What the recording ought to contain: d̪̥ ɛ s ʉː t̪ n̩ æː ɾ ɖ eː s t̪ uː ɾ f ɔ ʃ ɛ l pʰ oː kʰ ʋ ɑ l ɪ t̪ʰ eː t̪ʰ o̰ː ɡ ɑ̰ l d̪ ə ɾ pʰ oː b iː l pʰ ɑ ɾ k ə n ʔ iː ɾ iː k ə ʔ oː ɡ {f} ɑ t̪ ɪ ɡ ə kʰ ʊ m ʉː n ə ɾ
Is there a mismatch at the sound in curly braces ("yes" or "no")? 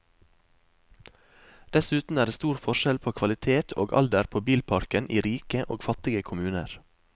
no